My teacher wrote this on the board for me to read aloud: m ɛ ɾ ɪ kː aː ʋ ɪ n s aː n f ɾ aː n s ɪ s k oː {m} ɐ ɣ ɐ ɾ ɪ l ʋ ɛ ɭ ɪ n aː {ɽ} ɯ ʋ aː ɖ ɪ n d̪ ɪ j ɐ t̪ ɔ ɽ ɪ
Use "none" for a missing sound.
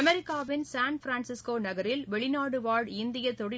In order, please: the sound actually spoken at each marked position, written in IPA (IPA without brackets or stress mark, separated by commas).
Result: n, ɽ